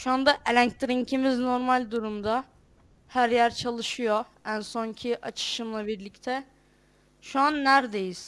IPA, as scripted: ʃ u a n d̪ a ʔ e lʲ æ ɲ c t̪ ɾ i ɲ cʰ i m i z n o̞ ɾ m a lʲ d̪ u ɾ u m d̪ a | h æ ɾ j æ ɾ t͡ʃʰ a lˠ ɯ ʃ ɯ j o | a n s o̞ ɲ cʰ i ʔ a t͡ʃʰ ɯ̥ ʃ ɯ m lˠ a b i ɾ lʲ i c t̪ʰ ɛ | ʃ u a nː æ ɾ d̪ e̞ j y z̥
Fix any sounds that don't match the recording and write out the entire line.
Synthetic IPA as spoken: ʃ u a n d̪ a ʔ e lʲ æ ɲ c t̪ ɾ i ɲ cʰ i m i z n o̞ ɾ m a lʲ d̪ u ɾ u m d̪ a | h æ ɾ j æ ɾ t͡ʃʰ a lˠ ɯ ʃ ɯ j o | æ n s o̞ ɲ cʰ i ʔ a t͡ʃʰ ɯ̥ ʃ ɯ m lˠ a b i ɾ lʲ i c t̪ʰ ɛ | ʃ u a nː æ ɾ d̪ e̞ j i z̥